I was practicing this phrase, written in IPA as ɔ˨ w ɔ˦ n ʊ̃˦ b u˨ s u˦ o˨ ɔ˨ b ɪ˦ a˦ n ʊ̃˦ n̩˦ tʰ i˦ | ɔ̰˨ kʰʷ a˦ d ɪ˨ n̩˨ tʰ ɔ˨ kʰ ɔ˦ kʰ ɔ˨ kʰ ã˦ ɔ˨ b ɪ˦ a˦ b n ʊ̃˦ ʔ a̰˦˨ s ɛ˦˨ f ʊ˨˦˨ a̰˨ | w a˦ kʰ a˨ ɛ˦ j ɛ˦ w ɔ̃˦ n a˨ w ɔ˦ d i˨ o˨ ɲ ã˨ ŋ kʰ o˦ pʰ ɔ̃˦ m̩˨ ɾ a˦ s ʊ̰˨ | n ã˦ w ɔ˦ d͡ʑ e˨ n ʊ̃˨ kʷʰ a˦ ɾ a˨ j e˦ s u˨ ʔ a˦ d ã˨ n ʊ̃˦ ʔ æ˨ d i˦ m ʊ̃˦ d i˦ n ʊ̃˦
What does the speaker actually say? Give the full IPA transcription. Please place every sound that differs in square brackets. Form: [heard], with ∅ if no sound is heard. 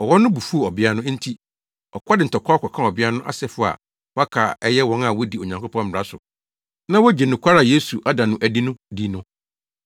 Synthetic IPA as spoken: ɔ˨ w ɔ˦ n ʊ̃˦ b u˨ [f] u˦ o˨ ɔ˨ b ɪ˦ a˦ n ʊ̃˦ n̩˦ tʰ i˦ | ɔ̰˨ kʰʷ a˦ d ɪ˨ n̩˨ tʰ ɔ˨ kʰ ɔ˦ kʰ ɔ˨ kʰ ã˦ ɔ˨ b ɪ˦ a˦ [∅] n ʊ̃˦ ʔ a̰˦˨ s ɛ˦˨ f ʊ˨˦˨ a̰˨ | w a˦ kʰ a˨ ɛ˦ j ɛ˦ w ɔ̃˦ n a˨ w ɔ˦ d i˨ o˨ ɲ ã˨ ŋ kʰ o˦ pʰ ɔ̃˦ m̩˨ ɾ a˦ s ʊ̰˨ | n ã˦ w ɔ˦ d͡ʑ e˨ n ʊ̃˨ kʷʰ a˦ ɾ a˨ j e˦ s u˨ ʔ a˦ d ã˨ n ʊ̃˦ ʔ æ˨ d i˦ [n] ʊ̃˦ d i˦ n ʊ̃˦